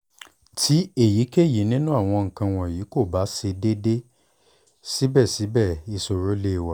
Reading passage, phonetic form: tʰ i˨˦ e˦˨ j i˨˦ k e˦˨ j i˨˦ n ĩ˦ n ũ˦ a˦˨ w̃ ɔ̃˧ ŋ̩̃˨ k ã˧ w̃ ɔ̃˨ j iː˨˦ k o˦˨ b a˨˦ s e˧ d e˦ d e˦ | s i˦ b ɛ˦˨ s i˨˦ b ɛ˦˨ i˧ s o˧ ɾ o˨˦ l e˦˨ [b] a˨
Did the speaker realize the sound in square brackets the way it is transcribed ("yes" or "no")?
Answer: no